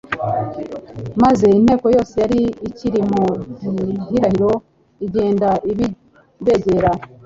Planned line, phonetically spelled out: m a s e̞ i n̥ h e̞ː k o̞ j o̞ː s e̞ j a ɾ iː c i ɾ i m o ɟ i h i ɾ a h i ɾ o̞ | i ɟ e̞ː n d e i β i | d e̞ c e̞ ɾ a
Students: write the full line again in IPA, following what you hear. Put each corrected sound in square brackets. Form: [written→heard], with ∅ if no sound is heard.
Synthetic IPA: m a [s→z] e̞ i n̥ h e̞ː k o̞ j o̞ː s e̞ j a ɾ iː c i ɾ i m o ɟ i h i ɾ a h i ɾ o̞ | i ɟ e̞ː n d [e→a] i β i | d e̞ [c→ɟ] e̞ ɾ a